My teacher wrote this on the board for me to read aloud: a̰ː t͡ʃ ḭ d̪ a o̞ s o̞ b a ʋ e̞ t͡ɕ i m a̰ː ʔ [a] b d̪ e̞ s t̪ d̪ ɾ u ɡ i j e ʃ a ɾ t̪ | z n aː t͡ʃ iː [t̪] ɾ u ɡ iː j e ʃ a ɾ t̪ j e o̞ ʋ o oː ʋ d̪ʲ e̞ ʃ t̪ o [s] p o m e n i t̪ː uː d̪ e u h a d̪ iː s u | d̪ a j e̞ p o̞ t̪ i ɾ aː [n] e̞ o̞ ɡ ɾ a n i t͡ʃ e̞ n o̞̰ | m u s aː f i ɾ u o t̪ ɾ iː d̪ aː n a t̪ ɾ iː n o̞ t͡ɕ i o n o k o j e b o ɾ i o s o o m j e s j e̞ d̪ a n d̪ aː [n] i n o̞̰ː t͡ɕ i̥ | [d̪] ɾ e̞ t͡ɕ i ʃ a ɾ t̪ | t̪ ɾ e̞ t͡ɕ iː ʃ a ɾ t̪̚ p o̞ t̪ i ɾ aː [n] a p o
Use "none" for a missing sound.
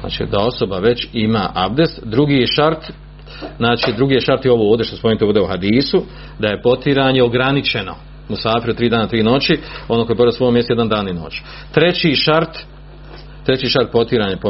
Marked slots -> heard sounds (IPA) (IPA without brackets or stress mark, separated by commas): a, d̪, s, ɲ, n, t̪, ɲ